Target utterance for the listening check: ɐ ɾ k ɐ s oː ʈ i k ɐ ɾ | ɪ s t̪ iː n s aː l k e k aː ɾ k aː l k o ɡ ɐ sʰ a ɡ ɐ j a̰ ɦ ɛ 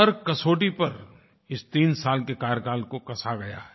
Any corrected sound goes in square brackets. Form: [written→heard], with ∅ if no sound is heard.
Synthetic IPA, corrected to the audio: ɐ ɾ k ɐ s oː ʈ i [k→p] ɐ ɾ | ɪ s t̪ iː n s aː l k e k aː ɾ k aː l k o [ɡ→k] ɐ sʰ a ɡ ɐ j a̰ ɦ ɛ